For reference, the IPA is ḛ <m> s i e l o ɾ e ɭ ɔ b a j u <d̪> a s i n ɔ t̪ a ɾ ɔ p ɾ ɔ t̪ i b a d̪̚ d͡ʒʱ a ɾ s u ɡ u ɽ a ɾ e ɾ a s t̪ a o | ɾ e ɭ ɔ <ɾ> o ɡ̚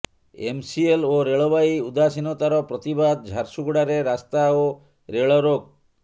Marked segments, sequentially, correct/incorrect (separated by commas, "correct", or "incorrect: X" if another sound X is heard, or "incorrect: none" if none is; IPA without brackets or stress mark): correct, correct, correct